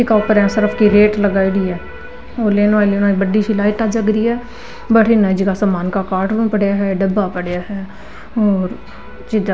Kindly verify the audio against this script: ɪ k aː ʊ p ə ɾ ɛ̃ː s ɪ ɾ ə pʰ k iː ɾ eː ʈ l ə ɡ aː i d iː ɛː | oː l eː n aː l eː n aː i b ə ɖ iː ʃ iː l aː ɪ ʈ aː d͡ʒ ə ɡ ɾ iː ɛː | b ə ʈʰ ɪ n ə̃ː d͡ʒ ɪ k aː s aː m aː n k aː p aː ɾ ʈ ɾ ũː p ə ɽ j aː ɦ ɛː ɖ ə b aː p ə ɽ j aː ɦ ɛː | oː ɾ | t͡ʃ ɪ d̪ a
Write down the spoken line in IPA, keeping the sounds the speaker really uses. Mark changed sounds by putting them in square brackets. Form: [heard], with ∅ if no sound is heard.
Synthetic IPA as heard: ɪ k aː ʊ p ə ɾ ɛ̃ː s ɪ ɾ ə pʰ k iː ɾ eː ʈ l ə ɡ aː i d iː ɛː | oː l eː n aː l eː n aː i b ə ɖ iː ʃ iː l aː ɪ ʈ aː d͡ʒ ə ɡ ɾ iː ɛː | b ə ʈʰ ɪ n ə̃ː d͡ʒ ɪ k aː s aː m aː n k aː [k] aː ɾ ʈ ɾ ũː p ə ɽ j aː ɦ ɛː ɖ ə b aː p ə ɽ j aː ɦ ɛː | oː ɾ | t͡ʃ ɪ d̪ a